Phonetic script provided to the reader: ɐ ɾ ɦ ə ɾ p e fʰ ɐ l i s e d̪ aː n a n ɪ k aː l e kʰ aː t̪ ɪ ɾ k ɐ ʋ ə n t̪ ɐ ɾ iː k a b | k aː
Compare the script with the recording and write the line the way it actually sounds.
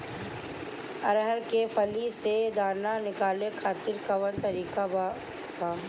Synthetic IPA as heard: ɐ ɾ ɦ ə ɾ k e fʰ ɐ l i s e d̪ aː n a n ɪ k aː l e kʰ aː t̪ ɪ ɾ k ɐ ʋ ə n t̪ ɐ ɾ iː k a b | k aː